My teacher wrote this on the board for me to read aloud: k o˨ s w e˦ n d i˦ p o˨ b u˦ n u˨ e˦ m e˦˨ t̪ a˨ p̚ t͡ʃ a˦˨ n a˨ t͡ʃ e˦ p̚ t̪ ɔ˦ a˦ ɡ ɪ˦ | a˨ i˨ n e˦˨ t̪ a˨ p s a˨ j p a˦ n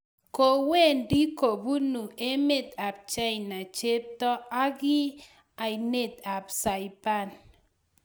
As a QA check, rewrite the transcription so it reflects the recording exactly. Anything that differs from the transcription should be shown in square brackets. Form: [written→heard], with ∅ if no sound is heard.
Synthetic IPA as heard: k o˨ [s→∅] w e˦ n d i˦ [p→k] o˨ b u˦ n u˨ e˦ m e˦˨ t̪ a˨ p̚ t͡ʃ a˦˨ n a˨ t͡ʃ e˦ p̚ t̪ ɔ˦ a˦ ɡ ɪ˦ | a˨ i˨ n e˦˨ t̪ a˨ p s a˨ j p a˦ n